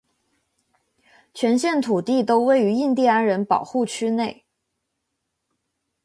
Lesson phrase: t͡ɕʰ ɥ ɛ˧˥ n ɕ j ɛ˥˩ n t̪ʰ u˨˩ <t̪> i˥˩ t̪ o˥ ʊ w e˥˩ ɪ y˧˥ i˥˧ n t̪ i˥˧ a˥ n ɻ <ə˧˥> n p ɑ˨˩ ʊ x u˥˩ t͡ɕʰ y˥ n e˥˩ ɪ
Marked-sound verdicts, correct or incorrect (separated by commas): correct, correct